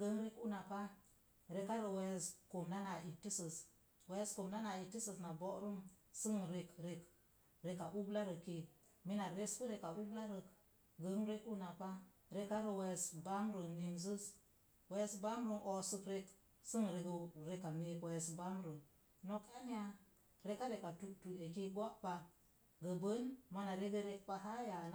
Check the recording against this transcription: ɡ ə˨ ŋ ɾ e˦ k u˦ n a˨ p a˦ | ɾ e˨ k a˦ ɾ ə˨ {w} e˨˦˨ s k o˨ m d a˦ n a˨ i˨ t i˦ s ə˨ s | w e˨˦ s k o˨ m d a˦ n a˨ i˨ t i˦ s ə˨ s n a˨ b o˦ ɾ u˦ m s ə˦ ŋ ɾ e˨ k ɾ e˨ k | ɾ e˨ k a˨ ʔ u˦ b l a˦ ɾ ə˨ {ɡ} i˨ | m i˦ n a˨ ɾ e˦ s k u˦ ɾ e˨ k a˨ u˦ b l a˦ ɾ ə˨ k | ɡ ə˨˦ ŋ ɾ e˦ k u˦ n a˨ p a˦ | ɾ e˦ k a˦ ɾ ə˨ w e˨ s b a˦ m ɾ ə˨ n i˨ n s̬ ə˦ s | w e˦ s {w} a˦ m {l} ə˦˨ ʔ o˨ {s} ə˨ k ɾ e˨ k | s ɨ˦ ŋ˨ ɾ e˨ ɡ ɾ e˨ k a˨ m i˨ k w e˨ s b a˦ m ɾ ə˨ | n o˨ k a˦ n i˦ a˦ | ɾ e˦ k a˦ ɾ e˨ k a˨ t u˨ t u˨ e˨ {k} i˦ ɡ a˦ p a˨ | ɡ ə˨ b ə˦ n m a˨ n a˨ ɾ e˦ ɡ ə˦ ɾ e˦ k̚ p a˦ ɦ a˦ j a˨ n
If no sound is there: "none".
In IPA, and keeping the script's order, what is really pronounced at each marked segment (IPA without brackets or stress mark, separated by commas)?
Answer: w, k, b, ɾ, s, k